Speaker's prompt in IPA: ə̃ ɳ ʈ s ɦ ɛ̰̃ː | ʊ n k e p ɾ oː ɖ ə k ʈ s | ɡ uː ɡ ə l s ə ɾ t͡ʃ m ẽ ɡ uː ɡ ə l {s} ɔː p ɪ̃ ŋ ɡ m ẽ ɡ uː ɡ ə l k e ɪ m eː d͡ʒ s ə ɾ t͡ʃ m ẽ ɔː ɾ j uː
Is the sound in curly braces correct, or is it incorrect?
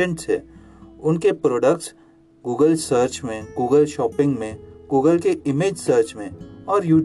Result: incorrect